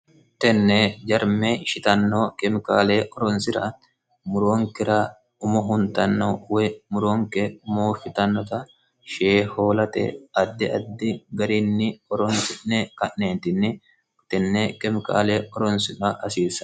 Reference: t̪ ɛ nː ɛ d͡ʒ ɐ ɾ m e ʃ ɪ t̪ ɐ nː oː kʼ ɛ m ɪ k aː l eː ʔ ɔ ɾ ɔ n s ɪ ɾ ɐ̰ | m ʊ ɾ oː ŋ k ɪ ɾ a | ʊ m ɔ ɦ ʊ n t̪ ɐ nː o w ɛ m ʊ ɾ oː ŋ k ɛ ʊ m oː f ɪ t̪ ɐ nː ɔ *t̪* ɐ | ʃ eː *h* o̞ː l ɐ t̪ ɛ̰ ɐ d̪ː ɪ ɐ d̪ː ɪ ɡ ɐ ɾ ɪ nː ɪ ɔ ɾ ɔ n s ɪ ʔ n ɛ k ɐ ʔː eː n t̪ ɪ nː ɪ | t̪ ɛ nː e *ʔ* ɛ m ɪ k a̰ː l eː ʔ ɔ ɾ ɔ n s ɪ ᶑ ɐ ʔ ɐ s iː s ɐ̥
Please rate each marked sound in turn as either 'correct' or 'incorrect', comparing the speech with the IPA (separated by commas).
correct, correct, incorrect